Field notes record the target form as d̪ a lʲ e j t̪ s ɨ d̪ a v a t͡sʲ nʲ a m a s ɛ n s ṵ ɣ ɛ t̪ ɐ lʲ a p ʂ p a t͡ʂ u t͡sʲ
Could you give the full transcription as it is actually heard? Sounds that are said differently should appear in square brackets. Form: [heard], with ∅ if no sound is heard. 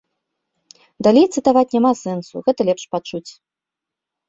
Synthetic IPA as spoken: d̪ a lʲ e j t̪ s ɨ [t̪] a v a t͡sʲ nʲ a m a s ɛ n s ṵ ɣ ɛ t̪ ɐ lʲ [ɛ] p ʂ p a t͡ʂ u t͡sʲ